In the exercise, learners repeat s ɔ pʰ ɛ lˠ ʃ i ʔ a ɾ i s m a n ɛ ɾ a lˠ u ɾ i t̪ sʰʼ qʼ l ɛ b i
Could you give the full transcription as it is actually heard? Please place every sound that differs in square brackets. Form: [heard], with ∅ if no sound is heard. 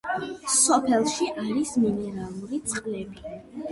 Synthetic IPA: s ɔ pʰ ɛ lˠ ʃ i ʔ a ɾ i s m [i] n ɛ ɾ a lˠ u ɾ i t̪ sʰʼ qʼ l ɛ b i